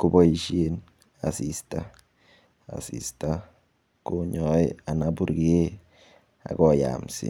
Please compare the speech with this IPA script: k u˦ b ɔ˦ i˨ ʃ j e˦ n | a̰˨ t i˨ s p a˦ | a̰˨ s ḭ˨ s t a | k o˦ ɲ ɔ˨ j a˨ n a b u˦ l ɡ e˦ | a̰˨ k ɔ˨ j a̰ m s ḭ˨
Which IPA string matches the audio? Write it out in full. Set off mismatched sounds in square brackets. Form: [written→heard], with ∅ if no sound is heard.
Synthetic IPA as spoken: k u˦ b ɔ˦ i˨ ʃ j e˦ n | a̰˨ [t→s] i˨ s [p→t] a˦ | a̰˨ s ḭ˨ s t a | k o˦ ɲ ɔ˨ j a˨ n a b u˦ [l→ɾ] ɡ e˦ | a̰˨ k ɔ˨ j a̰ m s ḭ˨